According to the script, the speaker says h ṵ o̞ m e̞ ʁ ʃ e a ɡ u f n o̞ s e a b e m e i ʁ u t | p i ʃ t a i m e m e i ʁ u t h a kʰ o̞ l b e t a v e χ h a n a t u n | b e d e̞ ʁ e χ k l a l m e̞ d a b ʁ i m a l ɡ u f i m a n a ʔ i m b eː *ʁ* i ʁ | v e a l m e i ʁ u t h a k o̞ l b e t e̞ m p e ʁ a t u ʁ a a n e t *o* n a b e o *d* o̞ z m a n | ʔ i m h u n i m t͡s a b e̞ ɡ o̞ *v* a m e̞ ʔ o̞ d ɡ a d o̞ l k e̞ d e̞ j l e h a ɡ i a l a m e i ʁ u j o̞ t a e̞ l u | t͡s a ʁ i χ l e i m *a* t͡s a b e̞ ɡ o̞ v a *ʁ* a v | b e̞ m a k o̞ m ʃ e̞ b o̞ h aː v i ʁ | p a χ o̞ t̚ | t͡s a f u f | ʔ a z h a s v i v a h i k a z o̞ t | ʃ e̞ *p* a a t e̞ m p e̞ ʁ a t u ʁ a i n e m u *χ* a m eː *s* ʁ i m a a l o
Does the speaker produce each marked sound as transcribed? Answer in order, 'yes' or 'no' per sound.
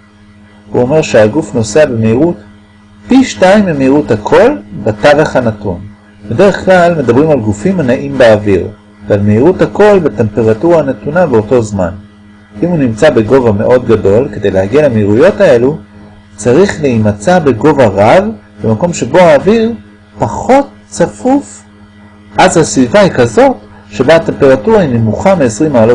no, no, no, yes, yes, yes, no, yes, yes

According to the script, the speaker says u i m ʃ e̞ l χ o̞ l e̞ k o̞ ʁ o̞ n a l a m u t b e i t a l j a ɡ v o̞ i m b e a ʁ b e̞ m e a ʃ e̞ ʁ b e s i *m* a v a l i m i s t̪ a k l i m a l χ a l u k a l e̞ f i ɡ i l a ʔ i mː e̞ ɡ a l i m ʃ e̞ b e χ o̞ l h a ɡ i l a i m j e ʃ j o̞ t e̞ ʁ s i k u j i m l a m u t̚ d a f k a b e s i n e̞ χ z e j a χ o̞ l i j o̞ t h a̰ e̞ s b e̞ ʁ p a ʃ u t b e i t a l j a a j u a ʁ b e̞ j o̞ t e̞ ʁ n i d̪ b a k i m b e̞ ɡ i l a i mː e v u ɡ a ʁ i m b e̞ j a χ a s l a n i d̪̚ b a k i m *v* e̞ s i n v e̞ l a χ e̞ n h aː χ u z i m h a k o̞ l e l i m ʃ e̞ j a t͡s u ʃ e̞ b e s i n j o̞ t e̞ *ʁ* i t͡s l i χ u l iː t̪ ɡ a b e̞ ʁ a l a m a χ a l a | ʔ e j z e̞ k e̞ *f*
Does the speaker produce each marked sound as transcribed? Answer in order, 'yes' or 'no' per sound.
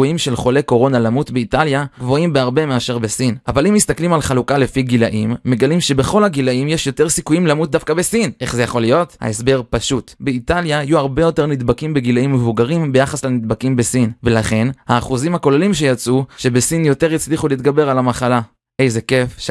no, no, yes, yes

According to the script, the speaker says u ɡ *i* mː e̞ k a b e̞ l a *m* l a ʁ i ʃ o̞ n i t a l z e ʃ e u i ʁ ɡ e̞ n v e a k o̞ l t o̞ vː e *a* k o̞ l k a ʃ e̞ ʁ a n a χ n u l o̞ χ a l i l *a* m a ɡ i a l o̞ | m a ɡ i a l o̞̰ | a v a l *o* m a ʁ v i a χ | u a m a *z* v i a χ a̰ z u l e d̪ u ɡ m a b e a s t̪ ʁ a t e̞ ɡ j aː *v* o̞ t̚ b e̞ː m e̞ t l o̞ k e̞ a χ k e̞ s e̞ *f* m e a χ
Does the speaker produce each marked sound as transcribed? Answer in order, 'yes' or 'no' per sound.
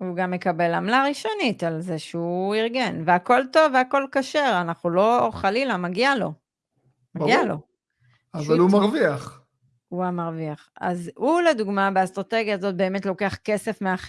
no, yes, yes, yes, no, no, no, yes

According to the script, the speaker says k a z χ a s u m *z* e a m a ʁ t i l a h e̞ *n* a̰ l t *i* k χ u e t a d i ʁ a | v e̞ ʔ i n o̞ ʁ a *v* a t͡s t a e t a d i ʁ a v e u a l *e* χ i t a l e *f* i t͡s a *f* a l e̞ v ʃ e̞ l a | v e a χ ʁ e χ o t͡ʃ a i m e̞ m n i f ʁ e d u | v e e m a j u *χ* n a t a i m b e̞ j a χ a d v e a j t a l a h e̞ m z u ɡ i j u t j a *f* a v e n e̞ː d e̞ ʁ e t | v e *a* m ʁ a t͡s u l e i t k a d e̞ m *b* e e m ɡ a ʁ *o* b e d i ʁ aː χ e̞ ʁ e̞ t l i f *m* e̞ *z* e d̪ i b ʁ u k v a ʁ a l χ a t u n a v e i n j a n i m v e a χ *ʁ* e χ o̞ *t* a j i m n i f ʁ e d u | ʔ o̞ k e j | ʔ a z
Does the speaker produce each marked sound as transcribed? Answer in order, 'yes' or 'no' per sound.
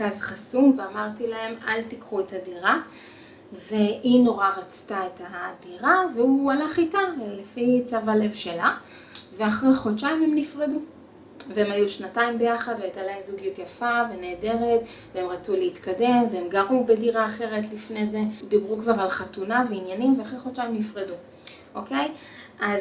no, no, yes, no, no, yes, no, no, yes, no, no, no, no, yes, yes, no

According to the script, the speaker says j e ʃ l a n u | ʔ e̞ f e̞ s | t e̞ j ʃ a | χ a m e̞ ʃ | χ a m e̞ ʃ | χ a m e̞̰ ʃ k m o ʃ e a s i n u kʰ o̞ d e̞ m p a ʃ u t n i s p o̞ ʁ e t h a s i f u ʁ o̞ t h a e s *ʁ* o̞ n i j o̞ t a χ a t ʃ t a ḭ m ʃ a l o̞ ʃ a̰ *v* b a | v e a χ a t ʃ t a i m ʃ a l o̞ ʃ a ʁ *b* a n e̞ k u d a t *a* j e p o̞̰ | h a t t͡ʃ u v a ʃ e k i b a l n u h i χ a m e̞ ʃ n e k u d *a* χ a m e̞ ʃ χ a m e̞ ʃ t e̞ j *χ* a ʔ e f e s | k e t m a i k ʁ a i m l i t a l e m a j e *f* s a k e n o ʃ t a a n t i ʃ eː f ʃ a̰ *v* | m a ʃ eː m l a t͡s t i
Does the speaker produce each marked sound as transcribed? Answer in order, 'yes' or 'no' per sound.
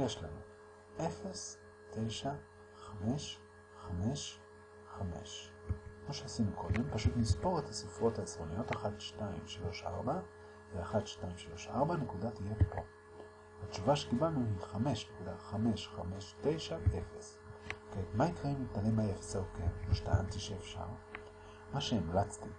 yes, no, yes, no, yes, no, yes, no

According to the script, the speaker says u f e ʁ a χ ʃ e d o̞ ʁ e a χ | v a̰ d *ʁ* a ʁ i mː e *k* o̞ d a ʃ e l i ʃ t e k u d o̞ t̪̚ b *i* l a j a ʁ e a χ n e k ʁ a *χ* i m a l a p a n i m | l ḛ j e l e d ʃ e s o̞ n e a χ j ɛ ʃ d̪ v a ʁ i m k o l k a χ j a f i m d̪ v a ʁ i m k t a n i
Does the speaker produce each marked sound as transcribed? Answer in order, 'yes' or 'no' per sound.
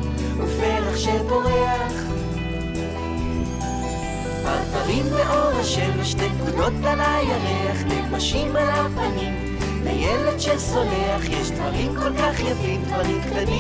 no, no, no, no

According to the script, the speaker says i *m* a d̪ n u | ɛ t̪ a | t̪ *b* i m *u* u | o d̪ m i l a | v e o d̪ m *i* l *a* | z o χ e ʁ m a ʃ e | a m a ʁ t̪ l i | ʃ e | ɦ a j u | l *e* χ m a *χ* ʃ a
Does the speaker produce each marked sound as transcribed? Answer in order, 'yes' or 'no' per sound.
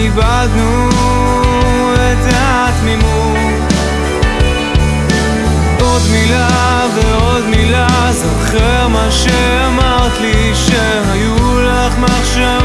no, no, yes, yes, yes, no, yes

